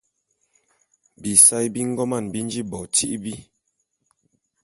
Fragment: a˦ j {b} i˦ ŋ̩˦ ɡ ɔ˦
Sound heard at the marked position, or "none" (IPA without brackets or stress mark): b